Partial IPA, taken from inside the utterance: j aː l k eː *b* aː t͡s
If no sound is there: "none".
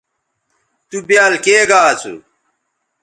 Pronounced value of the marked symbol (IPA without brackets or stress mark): ɡ